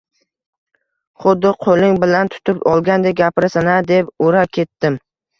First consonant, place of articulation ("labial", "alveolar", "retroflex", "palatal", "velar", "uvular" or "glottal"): uvular